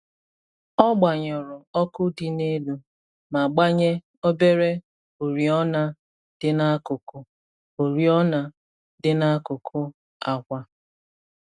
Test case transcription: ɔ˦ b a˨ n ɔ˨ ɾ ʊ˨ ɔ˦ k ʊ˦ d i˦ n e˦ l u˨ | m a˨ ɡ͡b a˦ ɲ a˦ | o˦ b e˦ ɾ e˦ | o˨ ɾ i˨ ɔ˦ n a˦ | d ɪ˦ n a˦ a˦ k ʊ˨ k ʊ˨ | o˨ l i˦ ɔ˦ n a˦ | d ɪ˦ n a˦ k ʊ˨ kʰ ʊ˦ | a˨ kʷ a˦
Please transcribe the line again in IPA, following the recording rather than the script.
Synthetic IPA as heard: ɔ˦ ɡ͡b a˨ ɲ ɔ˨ ɾ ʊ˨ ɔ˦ k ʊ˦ d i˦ n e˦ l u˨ | m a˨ ɡ͡b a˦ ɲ e˦ | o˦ b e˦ ɾ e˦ | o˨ ɾ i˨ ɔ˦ n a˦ | d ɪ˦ n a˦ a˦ k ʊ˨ k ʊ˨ | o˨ ɾ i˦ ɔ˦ n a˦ | d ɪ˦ n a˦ k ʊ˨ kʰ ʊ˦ | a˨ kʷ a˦